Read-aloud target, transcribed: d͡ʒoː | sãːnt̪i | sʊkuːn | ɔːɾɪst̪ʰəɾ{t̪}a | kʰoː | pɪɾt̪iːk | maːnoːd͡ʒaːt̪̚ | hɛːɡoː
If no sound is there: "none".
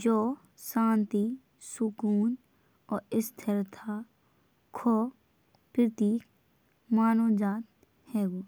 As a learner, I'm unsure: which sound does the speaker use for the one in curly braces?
t̪ʰ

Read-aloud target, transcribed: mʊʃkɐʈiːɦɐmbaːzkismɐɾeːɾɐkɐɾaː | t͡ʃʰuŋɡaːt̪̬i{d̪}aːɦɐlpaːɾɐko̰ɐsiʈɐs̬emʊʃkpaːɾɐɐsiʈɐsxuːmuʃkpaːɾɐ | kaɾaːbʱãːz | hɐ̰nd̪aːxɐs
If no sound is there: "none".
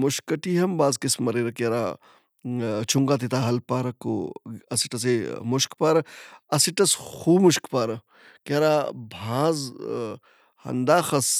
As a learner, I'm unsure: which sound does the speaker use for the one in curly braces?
t̪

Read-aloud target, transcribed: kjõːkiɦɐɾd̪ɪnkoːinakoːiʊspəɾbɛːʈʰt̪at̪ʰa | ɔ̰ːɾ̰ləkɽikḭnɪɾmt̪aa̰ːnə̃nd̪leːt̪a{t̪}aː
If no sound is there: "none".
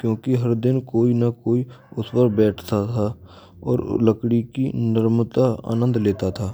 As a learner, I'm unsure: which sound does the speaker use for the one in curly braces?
t̪ʰ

